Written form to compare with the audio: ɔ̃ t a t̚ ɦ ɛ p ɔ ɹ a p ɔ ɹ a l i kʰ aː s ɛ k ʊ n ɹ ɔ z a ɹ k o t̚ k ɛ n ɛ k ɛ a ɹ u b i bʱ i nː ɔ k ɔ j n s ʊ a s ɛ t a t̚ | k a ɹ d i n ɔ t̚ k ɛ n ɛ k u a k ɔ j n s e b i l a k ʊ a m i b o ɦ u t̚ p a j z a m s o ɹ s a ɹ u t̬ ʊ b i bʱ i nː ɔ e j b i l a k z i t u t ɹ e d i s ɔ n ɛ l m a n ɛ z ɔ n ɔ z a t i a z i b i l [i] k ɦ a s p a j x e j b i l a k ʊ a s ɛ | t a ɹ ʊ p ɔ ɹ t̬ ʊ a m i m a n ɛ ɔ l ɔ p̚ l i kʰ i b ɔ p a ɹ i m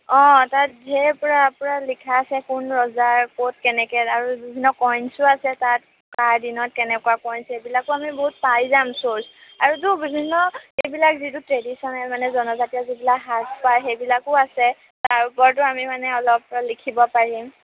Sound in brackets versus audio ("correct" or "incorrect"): incorrect